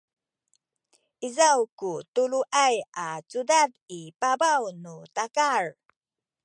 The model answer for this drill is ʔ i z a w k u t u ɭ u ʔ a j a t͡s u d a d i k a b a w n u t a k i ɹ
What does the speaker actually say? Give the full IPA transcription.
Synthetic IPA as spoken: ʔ i z a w k u t u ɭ u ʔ a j a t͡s u d a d i p a b a w n u t a k a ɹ